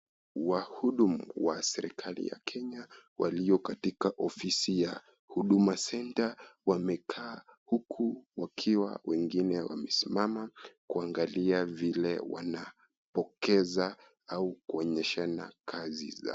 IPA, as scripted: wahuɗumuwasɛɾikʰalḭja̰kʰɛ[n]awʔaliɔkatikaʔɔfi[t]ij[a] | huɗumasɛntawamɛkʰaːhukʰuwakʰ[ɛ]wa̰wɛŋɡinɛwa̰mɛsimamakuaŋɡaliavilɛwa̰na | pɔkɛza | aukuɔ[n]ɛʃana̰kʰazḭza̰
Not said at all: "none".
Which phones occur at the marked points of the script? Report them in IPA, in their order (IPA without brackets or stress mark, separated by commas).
ɲ, s, a, i, ɲ